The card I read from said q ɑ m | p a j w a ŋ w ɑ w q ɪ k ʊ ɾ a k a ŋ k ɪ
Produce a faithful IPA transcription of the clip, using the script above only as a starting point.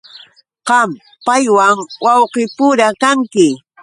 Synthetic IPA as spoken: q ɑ m | p a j w a ŋ w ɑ w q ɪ p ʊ ɾ a k a ŋ k ɪ